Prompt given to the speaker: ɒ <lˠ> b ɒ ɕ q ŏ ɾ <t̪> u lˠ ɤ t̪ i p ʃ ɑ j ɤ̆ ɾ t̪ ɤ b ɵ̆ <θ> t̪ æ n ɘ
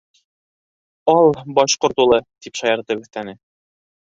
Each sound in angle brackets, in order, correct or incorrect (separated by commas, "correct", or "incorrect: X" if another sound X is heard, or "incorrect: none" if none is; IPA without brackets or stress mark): correct, correct, correct